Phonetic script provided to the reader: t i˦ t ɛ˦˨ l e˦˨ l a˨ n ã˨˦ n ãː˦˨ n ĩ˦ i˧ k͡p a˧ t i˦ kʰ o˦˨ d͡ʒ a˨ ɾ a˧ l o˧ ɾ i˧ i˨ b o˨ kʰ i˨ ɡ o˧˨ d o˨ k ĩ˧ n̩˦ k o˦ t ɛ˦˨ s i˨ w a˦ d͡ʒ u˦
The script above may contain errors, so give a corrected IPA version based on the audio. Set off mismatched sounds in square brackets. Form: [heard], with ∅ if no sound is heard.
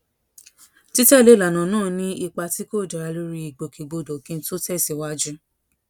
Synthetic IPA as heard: t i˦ t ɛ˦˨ l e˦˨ l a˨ n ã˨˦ n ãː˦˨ n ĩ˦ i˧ k͡p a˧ t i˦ [k] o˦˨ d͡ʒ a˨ ɾ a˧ l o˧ ɾ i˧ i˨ [ɡ͡b] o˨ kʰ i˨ [ɡ͡b] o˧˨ d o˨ k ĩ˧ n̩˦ [t] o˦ t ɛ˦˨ s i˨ w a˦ d͡ʒ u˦